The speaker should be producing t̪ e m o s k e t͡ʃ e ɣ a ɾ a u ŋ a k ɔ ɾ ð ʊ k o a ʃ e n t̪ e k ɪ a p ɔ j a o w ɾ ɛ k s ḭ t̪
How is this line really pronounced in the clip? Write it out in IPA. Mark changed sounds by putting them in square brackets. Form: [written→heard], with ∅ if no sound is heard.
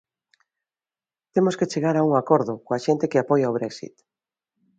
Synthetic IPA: t̪ e m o s k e t͡ʃ e ɣ a ɾ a u ŋ a k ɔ ɾ ð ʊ k o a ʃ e n t̪ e k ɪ a p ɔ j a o [w→β] ɾ ɛ k s ḭ t̪